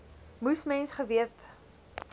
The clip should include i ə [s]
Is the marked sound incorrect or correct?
incorrect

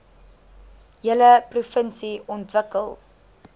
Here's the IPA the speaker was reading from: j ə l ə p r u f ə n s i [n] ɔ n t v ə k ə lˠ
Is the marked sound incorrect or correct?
incorrect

